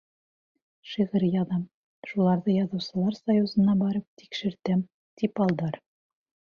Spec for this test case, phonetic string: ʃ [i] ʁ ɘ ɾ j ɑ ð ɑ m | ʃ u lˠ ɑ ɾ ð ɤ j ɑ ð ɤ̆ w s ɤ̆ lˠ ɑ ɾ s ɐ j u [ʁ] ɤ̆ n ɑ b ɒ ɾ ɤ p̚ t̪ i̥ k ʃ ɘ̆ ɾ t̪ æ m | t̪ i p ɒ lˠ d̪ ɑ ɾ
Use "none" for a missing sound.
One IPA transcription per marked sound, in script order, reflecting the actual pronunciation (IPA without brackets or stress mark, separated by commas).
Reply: i, z